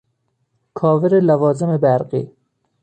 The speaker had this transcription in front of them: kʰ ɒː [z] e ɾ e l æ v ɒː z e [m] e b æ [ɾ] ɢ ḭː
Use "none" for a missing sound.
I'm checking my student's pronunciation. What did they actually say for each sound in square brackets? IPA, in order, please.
v, m, ɾ

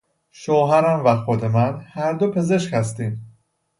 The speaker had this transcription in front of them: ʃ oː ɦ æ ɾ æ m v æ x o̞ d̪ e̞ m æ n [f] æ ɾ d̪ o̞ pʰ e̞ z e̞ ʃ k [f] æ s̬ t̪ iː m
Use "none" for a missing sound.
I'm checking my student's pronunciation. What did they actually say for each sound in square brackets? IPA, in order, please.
h, h

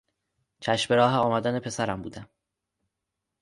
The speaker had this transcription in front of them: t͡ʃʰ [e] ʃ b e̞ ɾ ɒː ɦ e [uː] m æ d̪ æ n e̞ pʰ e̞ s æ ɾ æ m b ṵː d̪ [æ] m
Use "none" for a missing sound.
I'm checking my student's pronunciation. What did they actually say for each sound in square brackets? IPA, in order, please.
æ, ɒː, æ

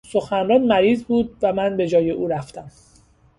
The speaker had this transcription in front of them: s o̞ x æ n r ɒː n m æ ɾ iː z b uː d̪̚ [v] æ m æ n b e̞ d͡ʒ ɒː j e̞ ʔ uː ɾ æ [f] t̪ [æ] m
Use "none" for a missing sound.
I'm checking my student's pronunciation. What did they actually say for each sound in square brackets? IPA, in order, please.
v, f, æ

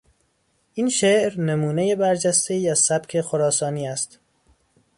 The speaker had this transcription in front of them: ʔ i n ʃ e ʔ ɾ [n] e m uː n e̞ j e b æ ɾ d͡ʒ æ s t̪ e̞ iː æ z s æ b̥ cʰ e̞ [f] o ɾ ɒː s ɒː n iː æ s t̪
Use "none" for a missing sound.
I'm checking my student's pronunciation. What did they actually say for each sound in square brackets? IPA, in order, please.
n, x

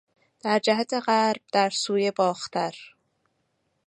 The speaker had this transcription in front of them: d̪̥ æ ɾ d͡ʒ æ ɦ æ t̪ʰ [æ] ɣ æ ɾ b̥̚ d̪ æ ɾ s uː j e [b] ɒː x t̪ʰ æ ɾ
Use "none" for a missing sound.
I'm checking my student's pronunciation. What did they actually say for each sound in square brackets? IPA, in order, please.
e, b

